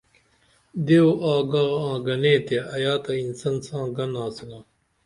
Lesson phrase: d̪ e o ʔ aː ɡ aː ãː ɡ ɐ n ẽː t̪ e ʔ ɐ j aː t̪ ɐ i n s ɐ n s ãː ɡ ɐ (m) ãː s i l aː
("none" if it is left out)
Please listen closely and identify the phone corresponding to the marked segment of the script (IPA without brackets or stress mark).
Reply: n